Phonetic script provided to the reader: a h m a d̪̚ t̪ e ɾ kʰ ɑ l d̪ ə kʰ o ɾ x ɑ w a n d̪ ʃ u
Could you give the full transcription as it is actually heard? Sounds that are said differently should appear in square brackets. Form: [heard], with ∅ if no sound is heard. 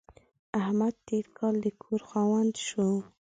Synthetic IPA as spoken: a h m a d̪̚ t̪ e ɾ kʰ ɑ l d̪ ə kʰ o ɾ x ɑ w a n d̪ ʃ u